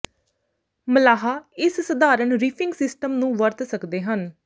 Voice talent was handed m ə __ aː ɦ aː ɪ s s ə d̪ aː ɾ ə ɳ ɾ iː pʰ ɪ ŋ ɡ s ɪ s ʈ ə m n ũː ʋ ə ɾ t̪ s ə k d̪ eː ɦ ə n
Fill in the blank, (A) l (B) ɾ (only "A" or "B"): A